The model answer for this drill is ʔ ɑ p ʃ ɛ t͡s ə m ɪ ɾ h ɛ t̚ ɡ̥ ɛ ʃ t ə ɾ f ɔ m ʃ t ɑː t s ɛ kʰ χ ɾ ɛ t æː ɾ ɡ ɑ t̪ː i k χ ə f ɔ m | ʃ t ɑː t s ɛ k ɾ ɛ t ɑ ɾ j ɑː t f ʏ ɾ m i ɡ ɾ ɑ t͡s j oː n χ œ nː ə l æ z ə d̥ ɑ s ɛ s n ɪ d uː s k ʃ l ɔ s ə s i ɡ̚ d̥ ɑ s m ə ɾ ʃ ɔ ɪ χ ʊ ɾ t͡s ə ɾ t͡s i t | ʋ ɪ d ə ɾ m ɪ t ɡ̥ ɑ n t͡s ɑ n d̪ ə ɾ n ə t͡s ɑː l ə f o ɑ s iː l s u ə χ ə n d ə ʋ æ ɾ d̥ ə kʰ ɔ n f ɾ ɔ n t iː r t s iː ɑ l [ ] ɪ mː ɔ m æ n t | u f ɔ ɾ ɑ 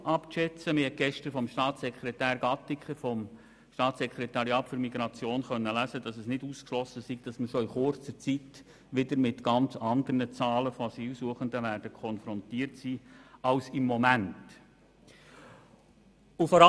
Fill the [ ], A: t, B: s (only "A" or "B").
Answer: B